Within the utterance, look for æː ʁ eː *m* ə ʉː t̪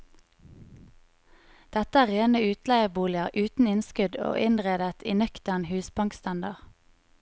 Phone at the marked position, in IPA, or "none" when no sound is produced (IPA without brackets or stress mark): n